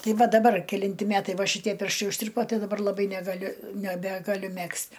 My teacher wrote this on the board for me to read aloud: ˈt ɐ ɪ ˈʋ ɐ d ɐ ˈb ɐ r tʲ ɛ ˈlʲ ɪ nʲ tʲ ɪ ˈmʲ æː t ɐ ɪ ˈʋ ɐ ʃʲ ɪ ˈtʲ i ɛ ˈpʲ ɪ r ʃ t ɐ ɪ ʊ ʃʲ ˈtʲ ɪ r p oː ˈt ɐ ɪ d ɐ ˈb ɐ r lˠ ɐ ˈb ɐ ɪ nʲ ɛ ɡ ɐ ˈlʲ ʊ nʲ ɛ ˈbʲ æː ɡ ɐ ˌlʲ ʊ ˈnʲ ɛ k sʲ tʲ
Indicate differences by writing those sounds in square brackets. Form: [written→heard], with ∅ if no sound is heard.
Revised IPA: ˈt ɐ ɪ ˈʋ ɐ d ɐ ˈb ɐ r [tʲ→kʲ] ɛ ˈlʲ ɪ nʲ tʲ ɪ ˈmʲ æː t ɐ ɪ ˈʋ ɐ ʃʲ ɪ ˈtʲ i ɛ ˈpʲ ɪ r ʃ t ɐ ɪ ʊ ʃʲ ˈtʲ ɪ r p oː ˈt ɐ ɪ d ɐ ˈb ɐ r lˠ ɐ ˈb ɐ ɪ nʲ ɛ ɡ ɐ ˈlʲ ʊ nʲ ɛ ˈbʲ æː ɡ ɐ ˌlʲ ʊ [ˈnʲ→ˈmʲ] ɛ k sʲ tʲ